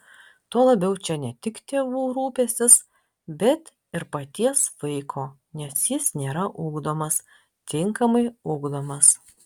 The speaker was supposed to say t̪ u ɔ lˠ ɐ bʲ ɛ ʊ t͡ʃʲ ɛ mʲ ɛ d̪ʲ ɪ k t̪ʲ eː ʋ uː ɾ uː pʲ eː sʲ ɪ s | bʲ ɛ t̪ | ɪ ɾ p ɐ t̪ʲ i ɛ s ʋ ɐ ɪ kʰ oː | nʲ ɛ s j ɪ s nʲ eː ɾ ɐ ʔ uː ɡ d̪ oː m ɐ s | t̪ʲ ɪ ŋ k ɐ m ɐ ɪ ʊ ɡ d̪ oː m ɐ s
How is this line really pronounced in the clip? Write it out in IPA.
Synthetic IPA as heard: t̪ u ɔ lˠ ɐ bʲ ɛ ʊ t͡ʃʲ ɛ nʲ ɛ t̪ʲ ɪ k t̪ʲ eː ʋ uː ɾ uː pʲ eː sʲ ɪ s | bʲ ɛ t̪ | ɪ ɾ p ɐ t̪ʲ i ɛ s ʋ ɐ ɪ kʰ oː | nʲ ɛ s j ɪ s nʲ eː ɾ ɐ ʔ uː ɡ d̪ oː m ɐ s | t̪ʲ ɪ ŋ k ɐ m ɐ ɪ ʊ ɡ d̪ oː m ɐ s